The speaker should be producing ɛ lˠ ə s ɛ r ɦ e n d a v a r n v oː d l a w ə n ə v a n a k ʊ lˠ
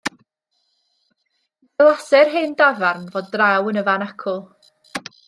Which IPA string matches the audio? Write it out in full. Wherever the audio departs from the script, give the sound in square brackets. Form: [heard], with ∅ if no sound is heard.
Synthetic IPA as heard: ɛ lˠ [a] s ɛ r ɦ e n d a v a r n v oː d [r] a w ə n ə v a n a [kʰ] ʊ lˠ